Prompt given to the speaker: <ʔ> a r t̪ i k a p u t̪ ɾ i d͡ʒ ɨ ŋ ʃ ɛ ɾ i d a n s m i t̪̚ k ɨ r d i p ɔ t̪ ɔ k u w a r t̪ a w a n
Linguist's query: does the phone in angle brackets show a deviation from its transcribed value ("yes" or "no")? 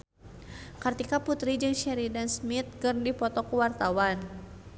yes